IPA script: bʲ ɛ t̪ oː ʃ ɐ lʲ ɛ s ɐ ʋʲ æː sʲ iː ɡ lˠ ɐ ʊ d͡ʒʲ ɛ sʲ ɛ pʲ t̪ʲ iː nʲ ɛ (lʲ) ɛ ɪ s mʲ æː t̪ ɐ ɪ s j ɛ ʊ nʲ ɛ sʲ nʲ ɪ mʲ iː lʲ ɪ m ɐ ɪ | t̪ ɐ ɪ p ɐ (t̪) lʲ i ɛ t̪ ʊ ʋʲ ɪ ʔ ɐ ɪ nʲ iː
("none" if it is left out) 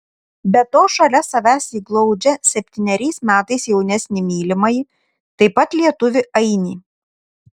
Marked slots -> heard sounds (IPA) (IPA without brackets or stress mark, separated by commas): ɾʲ, t̪